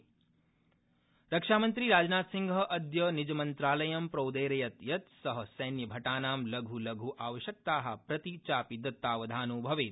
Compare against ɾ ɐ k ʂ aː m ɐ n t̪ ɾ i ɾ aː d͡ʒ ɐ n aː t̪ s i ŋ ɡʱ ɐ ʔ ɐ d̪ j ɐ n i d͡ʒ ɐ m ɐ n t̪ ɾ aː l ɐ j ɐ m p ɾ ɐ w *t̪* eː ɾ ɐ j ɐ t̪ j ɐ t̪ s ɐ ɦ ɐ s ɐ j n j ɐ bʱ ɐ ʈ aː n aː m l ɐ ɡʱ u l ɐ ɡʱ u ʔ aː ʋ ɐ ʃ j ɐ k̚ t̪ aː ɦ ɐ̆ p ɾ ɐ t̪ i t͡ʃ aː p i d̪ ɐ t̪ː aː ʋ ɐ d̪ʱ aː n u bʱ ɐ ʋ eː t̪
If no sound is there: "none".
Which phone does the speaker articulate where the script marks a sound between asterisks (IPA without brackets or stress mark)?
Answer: d̪